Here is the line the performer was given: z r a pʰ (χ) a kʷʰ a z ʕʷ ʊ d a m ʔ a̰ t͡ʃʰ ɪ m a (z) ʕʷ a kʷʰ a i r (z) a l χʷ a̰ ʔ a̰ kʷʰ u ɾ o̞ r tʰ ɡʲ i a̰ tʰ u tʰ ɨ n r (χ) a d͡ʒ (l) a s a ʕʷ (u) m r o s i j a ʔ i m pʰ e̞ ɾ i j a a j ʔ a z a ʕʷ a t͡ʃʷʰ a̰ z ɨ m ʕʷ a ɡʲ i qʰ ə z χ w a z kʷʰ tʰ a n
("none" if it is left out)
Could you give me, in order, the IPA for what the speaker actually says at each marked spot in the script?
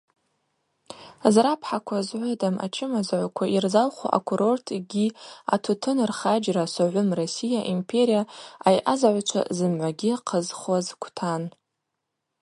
ħ, z, z, χ, r, ʊ

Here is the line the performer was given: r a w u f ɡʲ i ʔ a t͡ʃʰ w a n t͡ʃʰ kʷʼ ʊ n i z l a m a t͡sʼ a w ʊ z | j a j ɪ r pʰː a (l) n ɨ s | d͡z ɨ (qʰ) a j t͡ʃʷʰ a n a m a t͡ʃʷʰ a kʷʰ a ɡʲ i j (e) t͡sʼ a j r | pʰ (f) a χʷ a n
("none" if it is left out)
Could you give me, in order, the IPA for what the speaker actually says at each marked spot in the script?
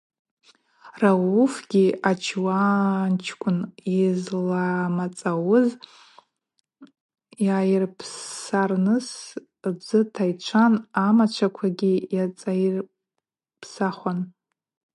r, tʰ, a, s

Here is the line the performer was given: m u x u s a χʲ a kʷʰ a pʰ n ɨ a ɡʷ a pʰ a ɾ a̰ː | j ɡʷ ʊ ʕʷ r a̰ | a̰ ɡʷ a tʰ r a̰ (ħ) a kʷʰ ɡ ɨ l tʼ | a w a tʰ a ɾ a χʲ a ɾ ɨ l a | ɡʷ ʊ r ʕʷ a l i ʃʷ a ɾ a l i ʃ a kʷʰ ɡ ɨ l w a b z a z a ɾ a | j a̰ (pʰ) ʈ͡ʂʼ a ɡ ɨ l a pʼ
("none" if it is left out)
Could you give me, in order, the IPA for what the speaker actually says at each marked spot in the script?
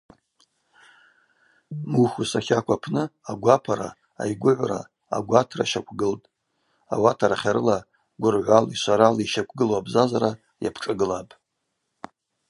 ʃ, pʰ

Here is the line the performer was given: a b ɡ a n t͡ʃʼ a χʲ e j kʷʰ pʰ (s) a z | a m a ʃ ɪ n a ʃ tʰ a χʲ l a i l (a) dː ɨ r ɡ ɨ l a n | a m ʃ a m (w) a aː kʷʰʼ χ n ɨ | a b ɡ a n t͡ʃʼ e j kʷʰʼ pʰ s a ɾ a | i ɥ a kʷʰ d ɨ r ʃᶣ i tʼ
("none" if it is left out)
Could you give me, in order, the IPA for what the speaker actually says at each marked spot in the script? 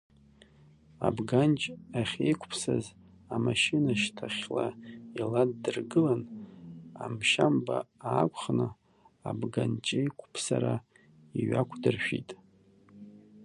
s, a, b

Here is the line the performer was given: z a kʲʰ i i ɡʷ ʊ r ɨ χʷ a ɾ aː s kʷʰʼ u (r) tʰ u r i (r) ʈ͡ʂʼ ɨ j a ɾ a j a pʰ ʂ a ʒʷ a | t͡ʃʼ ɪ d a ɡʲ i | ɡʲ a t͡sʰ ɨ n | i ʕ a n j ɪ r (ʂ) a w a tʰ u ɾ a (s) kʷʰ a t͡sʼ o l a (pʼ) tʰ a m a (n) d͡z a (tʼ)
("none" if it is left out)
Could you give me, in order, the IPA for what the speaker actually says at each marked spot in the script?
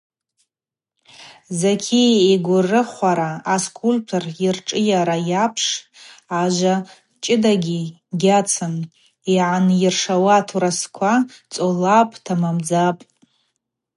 l, r, ʂ, s, pʼ, m, pʼ

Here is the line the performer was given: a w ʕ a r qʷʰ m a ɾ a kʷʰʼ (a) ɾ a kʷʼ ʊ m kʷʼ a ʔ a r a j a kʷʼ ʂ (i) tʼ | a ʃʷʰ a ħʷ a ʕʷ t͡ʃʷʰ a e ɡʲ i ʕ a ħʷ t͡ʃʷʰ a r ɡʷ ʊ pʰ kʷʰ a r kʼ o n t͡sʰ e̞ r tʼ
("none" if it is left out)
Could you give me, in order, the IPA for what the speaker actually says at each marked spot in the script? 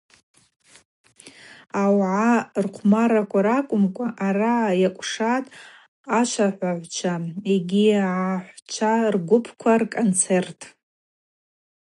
a, a

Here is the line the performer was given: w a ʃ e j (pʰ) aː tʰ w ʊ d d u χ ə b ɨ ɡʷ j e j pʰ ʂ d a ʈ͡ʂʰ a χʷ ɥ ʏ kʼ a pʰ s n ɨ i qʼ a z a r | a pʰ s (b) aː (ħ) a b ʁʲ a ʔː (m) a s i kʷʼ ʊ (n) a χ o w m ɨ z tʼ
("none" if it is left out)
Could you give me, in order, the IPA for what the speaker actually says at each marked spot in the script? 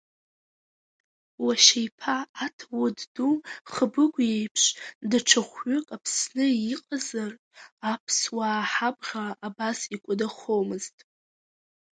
pʰ, w, ħ, b, d

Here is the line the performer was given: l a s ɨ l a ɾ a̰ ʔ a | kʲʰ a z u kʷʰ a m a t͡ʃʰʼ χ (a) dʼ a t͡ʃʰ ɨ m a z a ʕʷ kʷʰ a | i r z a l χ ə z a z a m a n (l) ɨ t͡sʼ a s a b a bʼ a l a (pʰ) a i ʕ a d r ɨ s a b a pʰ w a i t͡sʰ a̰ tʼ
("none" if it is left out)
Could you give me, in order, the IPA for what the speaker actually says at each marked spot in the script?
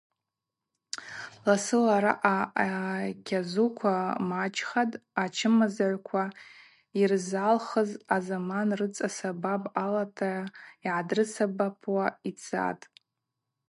a, r, tʰ

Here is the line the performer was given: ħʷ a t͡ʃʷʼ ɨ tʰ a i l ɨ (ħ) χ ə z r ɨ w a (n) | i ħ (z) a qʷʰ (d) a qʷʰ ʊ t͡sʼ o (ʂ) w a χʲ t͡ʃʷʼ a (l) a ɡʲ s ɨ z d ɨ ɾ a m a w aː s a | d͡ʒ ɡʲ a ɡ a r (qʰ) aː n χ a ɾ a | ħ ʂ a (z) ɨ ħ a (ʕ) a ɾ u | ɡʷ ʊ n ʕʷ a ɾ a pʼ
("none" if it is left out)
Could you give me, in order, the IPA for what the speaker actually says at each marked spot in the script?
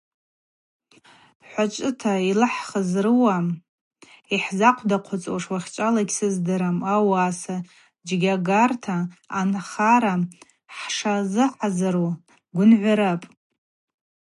ħ, m, z, d, ʂ, l, tʰ, z, z

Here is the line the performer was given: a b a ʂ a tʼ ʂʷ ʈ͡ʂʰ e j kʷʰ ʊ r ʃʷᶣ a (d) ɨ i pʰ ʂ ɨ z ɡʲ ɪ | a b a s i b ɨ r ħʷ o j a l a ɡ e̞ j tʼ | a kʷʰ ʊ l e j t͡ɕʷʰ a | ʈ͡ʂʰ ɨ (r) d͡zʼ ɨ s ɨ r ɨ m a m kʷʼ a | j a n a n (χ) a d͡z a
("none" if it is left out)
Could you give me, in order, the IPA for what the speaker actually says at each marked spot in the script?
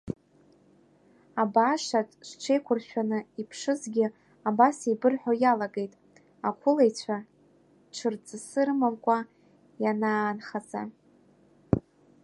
n, r, χ

